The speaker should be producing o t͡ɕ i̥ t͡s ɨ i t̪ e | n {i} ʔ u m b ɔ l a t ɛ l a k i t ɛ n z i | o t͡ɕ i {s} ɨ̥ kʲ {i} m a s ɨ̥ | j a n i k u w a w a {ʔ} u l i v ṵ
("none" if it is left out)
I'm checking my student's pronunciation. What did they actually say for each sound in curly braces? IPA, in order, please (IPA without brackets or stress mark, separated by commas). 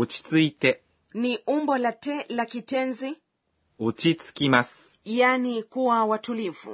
i, t͡s, i, t